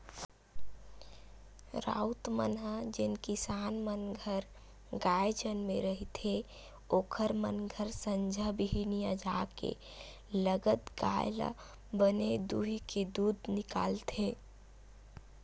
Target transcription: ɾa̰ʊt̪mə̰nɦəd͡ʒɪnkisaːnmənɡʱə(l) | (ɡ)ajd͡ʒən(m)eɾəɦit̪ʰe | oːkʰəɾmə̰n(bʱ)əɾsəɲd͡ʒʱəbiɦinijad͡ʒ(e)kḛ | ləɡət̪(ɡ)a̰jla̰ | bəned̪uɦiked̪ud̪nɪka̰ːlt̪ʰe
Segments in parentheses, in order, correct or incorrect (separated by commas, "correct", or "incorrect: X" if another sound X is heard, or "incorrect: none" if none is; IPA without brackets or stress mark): incorrect: ɾ, correct, correct, incorrect: ɡʱ, incorrect: a, correct